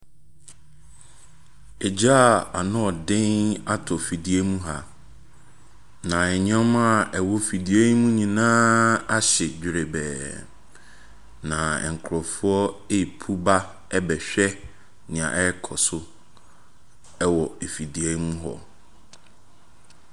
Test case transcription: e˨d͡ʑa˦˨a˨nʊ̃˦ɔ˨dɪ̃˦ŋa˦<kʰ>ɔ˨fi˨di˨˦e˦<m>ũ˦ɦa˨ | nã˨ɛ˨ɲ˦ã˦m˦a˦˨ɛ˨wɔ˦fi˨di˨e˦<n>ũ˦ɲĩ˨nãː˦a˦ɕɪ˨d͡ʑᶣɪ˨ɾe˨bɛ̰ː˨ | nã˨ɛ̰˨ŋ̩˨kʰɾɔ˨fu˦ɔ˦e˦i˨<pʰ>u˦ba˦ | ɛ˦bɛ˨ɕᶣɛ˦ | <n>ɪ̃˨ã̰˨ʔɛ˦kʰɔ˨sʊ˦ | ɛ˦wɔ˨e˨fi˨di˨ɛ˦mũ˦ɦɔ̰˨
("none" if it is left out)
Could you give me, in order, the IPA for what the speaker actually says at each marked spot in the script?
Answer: tʰ, m, m, pʰ, n

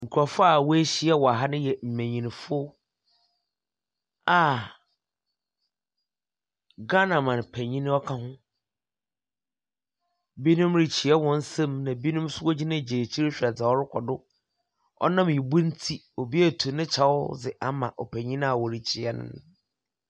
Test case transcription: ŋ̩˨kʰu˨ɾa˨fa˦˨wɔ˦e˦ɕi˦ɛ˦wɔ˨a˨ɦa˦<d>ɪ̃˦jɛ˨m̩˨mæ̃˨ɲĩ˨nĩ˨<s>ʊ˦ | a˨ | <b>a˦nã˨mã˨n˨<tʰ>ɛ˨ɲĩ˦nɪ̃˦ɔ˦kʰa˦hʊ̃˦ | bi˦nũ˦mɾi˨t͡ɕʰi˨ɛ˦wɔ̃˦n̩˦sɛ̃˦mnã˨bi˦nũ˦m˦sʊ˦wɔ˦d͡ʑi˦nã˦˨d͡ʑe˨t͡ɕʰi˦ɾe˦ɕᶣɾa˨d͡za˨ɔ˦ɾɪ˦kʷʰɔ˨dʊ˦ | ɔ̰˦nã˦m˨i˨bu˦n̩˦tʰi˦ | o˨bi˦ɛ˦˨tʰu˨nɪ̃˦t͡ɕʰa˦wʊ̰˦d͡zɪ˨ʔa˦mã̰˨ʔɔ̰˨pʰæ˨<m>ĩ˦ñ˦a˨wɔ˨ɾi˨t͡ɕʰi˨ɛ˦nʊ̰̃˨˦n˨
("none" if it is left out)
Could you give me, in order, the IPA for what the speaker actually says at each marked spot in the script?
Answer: n, f, ɡ, pʰ, ɲ

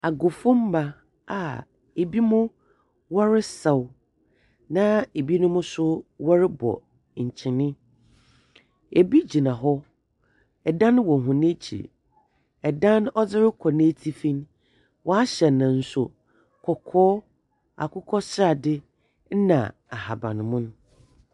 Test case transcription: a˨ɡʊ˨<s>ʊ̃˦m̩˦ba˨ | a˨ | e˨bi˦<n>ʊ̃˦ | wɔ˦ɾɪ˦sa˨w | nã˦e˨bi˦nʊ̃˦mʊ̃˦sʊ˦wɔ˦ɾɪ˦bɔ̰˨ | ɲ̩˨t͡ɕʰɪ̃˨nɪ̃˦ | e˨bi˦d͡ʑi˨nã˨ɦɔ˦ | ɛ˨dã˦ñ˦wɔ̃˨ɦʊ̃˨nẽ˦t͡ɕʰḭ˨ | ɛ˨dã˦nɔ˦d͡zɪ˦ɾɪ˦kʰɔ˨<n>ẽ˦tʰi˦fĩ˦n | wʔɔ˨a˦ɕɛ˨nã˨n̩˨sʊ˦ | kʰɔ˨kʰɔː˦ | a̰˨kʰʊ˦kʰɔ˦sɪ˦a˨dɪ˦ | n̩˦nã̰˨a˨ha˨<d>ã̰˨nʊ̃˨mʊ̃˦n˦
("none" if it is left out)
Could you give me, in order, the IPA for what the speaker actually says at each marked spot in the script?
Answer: f, m, n, b

